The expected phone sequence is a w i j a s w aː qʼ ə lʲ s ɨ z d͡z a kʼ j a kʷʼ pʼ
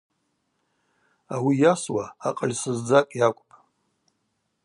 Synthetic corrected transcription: a w i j a s w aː qʼ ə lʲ s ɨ z d͡z a kʼ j a kʷʼ pʼ

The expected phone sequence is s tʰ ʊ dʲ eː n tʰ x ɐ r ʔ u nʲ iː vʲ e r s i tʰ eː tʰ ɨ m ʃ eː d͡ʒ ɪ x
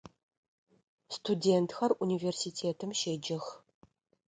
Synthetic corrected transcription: s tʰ u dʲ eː n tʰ x ɐ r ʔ u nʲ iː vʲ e r s i tʰ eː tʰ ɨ m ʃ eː d͡ʒ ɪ x

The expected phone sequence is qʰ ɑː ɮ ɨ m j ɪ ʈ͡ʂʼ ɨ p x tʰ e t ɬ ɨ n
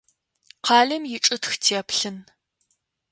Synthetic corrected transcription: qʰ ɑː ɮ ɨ m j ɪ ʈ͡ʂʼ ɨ t x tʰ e p ɬ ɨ n

